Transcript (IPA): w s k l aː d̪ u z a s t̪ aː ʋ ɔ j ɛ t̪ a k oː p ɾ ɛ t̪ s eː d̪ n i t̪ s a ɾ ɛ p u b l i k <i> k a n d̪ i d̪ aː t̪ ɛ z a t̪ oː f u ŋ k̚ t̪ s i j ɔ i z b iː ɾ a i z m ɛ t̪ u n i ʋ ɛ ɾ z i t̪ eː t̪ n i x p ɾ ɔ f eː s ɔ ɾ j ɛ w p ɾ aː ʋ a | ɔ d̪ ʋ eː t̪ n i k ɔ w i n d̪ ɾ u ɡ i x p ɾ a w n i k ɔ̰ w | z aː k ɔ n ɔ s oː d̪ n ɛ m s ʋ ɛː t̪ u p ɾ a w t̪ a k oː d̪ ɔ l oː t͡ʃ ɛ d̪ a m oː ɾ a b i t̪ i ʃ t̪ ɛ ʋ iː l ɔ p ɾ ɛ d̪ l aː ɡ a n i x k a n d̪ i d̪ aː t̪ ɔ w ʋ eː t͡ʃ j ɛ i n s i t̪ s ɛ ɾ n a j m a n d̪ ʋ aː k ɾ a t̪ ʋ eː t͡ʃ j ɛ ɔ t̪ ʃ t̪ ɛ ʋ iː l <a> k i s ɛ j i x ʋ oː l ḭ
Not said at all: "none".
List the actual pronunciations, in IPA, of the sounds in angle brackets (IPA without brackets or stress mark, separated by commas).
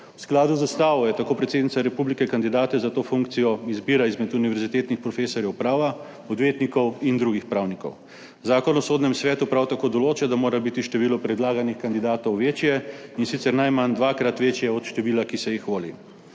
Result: ɛ, a